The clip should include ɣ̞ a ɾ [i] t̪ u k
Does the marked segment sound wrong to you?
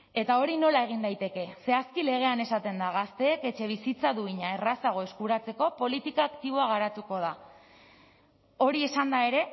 yes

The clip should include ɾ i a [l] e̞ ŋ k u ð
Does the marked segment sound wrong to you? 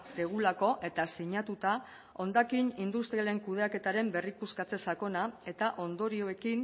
no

